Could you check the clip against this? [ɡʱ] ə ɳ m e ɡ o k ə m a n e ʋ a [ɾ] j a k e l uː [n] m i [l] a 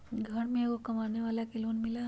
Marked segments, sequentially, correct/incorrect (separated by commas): correct, incorrect, correct, correct